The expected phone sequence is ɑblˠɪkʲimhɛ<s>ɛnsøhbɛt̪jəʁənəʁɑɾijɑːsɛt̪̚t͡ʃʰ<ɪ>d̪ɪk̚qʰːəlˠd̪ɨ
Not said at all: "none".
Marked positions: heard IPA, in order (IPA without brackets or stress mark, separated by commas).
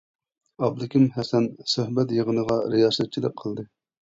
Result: s, i